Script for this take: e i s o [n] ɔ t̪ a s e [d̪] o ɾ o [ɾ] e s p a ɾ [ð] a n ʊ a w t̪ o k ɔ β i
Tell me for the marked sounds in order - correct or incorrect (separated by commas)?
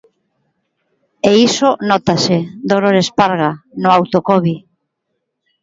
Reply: correct, correct, correct, incorrect